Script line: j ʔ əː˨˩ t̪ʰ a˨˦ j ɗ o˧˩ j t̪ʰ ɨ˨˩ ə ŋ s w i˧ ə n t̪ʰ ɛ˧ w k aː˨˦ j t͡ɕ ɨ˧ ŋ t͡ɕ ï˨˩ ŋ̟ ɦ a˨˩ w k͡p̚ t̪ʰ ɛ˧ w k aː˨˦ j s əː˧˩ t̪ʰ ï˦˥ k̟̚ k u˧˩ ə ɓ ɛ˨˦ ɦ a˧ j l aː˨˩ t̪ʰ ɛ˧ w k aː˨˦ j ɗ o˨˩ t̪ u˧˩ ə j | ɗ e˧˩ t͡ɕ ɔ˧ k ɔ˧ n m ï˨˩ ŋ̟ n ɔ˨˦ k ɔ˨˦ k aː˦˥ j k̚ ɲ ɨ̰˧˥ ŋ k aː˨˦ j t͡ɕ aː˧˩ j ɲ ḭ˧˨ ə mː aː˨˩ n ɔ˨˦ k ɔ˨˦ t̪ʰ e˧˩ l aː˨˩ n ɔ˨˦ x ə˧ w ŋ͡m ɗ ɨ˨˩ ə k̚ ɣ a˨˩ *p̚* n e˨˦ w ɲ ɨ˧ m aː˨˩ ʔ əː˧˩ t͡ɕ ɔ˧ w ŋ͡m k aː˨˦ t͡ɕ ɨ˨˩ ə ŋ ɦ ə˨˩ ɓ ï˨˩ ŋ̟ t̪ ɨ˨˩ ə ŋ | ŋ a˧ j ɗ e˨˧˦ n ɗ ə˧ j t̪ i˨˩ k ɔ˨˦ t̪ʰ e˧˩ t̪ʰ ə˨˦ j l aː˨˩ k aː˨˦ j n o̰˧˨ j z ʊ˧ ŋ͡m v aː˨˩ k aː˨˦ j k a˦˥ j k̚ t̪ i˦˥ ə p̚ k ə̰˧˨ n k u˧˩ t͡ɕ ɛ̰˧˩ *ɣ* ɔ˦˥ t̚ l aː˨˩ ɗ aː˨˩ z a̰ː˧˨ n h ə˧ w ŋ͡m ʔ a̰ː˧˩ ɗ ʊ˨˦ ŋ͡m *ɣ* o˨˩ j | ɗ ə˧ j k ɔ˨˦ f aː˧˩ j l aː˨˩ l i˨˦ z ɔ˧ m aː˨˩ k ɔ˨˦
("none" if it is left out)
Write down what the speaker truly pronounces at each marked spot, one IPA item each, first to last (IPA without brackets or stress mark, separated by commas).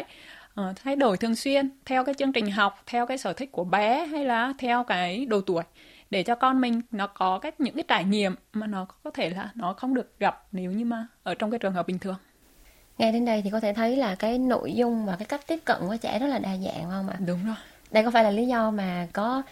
p̚, z, z